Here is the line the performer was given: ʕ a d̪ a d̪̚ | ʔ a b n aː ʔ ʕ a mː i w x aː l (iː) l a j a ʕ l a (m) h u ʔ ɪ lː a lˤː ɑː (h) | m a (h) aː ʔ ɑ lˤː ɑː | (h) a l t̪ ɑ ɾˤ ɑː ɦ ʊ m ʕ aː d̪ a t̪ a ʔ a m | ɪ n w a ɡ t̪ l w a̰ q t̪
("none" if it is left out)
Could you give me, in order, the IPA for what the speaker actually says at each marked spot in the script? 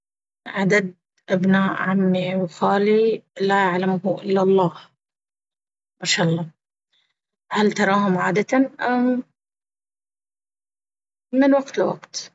i, m, h, ʃ, h

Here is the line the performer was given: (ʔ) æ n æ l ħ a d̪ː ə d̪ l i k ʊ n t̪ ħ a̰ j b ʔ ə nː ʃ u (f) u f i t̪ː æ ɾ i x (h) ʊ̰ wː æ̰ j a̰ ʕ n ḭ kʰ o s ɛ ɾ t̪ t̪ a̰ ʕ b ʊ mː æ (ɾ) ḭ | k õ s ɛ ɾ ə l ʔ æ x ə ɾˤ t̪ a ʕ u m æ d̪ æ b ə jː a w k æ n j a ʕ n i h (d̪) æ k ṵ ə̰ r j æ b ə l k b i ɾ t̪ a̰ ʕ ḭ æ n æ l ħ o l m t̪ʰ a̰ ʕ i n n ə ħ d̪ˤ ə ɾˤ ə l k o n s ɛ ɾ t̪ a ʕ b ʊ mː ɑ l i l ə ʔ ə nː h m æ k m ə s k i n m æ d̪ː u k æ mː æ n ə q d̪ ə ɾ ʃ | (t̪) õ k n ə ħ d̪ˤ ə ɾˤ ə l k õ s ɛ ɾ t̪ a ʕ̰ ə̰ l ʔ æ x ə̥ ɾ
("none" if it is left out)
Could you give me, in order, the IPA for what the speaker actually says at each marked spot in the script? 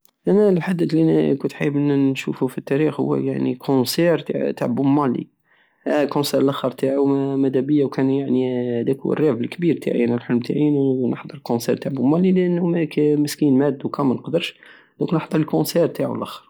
ʔ, f, h, l, d̪, d̪

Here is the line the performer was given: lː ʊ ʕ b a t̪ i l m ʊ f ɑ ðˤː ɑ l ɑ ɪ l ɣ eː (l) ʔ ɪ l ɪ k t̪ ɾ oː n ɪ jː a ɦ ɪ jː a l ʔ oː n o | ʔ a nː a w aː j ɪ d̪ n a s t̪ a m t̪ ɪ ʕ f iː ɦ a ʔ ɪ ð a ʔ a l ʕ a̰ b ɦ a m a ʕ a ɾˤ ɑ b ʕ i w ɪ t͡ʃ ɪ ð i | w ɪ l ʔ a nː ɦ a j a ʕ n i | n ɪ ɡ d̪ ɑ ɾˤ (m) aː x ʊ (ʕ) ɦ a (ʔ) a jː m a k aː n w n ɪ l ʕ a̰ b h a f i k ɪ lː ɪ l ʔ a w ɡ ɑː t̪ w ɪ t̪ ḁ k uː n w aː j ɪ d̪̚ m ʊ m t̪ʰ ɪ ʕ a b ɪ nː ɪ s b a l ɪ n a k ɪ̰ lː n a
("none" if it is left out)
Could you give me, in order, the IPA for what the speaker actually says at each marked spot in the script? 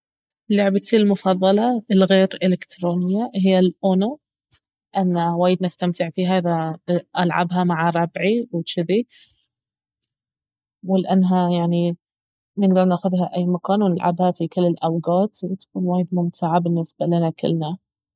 ɾ, n, ð, ʔ

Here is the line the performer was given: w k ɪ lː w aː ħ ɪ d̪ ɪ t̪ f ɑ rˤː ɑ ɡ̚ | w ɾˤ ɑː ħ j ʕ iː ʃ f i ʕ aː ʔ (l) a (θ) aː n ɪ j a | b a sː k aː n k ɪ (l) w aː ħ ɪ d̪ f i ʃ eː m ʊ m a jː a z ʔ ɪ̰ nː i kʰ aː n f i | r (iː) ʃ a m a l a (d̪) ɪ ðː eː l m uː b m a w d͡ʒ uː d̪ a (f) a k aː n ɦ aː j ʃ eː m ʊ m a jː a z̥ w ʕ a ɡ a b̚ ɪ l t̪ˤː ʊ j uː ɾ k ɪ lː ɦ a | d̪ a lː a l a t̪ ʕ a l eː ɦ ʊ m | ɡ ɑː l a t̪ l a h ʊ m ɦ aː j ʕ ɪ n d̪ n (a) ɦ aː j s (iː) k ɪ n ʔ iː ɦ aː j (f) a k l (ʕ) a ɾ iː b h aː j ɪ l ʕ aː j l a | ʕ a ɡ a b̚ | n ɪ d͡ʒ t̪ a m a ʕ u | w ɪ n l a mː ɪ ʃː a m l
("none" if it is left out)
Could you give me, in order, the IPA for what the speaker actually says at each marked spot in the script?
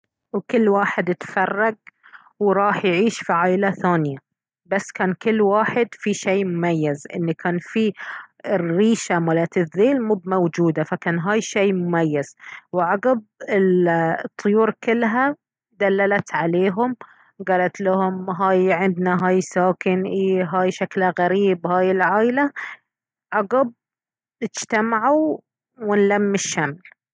l, θ, lː, iː, t̪, f, a, aː, ʃ, ɣ

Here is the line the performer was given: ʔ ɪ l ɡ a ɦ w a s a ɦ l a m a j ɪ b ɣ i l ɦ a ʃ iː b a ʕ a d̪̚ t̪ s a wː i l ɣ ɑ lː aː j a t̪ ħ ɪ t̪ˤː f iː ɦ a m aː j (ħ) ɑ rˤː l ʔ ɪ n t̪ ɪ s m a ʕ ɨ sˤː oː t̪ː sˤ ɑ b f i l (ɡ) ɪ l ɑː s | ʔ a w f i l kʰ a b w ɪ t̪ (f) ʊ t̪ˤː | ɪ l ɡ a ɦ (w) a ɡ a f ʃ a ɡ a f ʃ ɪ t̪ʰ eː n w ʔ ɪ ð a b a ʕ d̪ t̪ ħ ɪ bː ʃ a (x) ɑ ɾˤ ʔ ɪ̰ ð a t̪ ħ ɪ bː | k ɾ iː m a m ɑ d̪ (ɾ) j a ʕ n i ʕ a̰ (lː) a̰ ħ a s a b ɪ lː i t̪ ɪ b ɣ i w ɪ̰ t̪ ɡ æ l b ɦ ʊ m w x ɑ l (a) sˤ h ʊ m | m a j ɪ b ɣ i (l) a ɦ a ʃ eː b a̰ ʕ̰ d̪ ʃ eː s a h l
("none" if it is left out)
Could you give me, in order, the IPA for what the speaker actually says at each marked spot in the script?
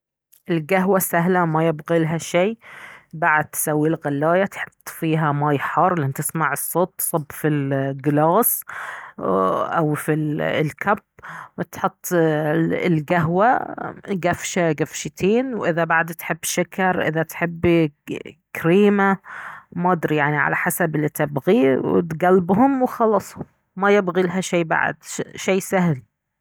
ħ, ɡ, ħ, w, k, ɾ, l, ɑ, l

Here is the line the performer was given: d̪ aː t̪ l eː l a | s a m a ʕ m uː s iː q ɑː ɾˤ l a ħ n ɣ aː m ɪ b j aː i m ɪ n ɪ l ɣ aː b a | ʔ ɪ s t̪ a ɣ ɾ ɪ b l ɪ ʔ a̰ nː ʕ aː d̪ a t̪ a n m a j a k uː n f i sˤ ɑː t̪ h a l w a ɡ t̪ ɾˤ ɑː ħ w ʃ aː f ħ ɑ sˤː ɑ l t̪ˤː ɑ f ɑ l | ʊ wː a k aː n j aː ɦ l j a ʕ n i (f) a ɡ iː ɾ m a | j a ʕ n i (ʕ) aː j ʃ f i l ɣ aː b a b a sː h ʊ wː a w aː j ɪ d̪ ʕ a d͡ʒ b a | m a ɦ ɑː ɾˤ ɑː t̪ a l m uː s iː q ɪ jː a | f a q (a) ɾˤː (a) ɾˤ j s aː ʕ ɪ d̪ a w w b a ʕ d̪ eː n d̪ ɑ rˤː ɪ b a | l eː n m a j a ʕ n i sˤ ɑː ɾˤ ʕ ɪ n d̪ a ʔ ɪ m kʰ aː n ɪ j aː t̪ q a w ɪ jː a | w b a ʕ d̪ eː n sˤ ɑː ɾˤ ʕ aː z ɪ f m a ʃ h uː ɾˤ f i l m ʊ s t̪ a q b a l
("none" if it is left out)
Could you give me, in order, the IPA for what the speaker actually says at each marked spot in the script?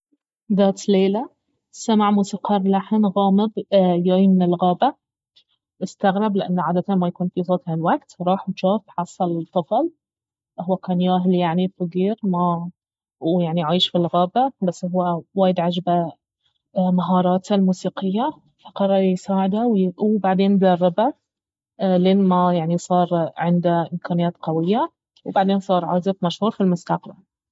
f, ʕ, ɑ, ɑ

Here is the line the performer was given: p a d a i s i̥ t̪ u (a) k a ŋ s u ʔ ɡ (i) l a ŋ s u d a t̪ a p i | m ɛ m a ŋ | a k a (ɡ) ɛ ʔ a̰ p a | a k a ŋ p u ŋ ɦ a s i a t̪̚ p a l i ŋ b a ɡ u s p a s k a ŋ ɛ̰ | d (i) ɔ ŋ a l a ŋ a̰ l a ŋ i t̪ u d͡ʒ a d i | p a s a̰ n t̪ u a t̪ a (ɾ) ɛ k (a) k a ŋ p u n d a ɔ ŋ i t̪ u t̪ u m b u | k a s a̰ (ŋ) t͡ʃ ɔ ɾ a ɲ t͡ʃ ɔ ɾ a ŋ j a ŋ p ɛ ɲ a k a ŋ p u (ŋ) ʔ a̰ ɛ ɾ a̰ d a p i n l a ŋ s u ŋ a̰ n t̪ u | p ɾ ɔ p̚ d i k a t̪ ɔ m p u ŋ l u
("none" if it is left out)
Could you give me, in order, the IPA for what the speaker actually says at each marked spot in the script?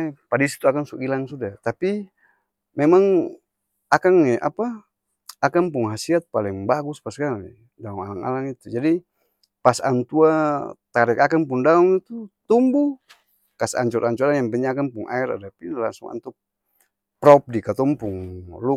a, i, ŋ, a, ɾ, a, ɲ, ŋ

